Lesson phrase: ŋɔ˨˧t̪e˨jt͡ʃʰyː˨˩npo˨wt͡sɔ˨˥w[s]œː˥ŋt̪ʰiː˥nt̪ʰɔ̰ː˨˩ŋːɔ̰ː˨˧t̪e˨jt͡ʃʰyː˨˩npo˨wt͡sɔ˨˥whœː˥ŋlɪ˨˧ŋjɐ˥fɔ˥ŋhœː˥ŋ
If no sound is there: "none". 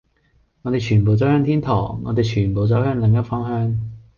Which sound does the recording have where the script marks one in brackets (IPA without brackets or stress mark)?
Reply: h